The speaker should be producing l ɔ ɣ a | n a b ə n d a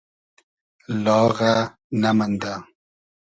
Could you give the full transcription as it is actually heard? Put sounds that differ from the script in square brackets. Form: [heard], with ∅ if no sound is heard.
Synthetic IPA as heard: l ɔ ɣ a | n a [m] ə n d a